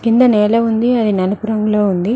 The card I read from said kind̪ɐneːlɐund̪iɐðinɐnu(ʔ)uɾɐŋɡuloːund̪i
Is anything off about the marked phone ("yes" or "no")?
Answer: yes